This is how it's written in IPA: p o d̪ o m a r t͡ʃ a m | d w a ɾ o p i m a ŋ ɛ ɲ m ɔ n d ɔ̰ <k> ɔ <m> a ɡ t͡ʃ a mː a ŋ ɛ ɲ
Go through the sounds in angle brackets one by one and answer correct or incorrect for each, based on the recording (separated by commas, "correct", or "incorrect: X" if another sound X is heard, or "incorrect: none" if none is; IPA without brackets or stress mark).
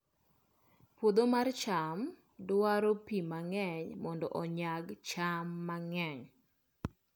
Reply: incorrect: ʔ, incorrect: ɲ